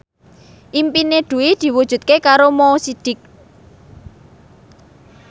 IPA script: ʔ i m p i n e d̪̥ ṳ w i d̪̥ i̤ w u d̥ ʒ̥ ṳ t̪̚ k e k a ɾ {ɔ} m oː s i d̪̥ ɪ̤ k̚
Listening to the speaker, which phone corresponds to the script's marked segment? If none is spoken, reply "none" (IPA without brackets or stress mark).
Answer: o